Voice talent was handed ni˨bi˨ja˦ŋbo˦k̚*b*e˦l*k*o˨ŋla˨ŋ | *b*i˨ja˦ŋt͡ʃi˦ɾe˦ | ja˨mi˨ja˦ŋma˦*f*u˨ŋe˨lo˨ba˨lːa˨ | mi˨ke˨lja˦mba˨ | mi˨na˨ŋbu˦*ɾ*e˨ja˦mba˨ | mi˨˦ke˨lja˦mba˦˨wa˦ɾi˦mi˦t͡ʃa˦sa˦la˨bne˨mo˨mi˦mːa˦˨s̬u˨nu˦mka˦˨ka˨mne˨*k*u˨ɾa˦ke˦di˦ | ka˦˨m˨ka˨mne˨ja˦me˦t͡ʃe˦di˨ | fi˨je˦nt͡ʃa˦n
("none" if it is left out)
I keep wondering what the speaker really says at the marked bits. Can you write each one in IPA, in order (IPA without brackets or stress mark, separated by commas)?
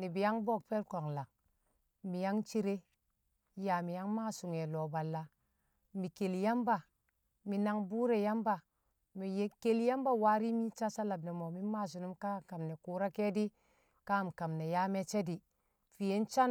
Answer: p, k, m, s, ɾ, k